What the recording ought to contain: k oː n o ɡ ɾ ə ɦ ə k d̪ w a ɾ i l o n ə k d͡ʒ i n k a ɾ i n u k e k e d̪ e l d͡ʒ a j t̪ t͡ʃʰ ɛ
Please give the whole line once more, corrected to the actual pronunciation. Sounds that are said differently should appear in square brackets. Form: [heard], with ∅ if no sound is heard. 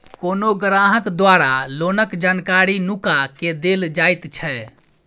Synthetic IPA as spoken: k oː n o ɡ ɾ [a] ɦ ə k d̪ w a ɾ [a] l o n ə k d͡ʒ [a] n k a ɾ i n u k [a] k e d̪ e l d͡ʒ a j t̪ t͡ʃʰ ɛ